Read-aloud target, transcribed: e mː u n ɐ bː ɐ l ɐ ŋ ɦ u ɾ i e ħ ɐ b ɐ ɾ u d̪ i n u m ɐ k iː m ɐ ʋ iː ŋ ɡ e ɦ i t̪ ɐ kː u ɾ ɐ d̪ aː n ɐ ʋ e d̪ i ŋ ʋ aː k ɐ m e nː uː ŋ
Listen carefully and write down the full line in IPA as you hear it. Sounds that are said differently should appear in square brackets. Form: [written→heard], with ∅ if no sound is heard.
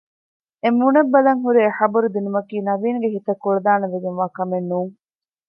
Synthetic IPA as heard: e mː u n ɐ bː ɐ l ɐ ŋ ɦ u ɾ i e ħ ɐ b ɐ ɾ u d̪ i n u m ɐ k iː [m→n] ɐ ʋ iː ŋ ɡ e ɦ i t̪ ɐ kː u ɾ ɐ d̪ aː n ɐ ʋ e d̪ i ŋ ʋ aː k ɐ m e nː uː ŋ